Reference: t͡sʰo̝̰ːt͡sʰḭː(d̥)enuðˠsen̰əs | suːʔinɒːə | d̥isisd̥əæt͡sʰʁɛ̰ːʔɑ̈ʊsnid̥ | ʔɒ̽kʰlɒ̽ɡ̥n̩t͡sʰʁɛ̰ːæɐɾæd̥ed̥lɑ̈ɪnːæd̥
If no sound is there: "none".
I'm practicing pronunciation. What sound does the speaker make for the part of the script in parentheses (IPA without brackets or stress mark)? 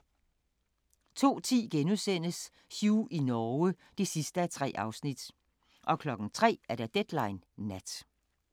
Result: ɡ̥